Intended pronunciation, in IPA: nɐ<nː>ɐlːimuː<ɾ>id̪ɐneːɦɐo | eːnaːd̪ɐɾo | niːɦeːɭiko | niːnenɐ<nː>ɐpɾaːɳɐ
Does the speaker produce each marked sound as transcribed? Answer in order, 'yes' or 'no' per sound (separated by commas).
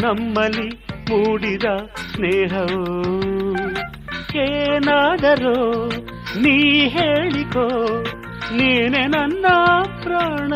no, no, yes